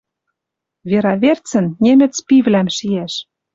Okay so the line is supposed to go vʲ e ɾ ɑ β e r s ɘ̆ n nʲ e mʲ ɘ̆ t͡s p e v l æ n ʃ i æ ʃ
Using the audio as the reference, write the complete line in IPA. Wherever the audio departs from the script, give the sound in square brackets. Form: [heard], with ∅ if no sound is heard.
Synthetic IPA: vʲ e ɾ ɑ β e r [t͡s] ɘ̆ n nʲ e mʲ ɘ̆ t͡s p [i] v l æ [m] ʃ i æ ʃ